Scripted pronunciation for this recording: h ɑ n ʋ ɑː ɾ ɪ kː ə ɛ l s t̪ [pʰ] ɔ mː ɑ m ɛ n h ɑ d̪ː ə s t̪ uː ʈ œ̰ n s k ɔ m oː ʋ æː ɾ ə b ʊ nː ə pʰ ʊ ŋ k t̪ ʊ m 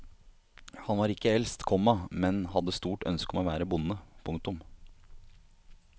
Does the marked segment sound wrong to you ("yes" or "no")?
yes